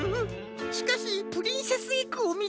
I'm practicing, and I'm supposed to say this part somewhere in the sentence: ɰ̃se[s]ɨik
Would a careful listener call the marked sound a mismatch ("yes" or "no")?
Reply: no